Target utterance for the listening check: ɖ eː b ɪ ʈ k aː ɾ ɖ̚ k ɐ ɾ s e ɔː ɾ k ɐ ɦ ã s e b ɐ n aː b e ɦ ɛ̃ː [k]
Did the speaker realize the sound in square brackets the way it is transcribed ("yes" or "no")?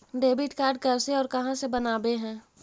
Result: no